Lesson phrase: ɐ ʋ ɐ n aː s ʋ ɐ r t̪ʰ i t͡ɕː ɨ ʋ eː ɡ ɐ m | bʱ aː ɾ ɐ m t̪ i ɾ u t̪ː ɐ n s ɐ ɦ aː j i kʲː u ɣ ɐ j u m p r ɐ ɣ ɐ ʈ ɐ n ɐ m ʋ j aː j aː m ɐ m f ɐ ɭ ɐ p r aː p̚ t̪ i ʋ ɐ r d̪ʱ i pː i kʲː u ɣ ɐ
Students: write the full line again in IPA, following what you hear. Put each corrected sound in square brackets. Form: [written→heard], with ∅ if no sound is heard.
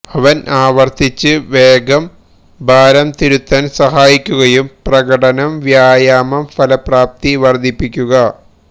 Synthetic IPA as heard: ɐ ʋ ɐ n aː [s→∅] ʋ ɐ r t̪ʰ i t͡ɕː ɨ ʋ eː ɡ ɐ m | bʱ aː ɾ ɐ m t̪ i ɾ u t̪ː ɐ n s ɐ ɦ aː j i kʲː u ɣ ɐ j u m p r ɐ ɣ ɐ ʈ ɐ n ɐ m ʋ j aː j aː m ɐ m f ɐ [ɭ→l] ɐ p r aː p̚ t̪ i ʋ ɐ r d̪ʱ i pː i kʲː u ɣ ɐ